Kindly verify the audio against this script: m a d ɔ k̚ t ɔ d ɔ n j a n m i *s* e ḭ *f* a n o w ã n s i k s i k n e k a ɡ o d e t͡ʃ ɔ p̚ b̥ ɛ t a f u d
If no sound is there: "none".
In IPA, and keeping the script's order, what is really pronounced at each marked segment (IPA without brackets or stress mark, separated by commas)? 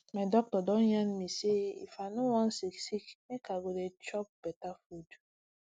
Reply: s, f